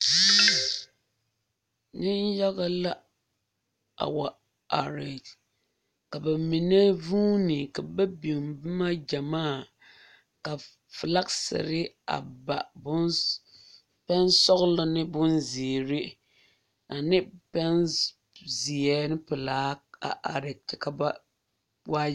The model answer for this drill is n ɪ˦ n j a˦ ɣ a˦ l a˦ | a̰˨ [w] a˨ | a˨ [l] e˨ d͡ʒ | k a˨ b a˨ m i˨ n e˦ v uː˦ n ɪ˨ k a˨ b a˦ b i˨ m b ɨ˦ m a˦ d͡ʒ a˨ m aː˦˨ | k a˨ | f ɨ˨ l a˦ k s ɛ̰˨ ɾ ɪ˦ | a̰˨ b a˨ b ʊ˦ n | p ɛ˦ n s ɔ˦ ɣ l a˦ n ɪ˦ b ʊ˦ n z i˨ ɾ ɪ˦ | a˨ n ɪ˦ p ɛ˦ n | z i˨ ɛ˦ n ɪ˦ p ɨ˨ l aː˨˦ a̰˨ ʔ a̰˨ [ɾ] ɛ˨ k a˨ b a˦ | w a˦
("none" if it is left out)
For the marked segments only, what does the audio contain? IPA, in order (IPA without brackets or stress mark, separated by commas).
w, ɾ, ɾ